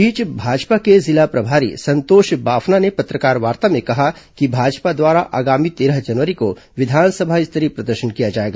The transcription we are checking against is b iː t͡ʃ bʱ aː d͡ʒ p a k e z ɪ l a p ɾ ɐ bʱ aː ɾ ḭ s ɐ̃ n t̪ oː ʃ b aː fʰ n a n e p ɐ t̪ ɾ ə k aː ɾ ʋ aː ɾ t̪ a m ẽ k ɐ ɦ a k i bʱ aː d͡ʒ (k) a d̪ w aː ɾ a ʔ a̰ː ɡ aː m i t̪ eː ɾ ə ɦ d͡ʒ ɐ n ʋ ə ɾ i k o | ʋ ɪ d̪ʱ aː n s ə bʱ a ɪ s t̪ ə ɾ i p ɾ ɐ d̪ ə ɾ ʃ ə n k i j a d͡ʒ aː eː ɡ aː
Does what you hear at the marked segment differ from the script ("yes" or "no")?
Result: yes